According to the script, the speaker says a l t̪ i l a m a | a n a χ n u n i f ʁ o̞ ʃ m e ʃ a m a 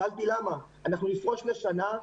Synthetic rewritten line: a l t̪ i l a m a | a n a χ n u n i f ʁ o̞ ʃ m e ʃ a n a